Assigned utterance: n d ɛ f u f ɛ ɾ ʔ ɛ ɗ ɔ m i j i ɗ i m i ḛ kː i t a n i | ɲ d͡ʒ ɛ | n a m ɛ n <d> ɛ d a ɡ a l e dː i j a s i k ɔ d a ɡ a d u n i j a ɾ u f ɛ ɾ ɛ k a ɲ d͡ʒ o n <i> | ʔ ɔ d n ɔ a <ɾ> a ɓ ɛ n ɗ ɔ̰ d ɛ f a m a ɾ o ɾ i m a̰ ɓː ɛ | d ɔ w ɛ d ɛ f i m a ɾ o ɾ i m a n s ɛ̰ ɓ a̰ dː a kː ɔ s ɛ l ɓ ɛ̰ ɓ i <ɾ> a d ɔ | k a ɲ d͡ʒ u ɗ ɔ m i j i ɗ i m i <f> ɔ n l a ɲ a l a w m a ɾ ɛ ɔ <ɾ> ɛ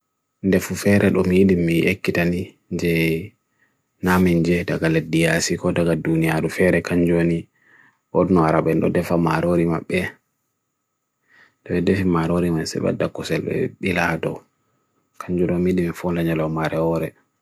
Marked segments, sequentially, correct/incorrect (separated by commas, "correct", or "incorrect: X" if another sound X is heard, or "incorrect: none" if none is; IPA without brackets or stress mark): incorrect: d͡ʒ, correct, correct, incorrect: l, correct, correct